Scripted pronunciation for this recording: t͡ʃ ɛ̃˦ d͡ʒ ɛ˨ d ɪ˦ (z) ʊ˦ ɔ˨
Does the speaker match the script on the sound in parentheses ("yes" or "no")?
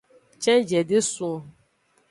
no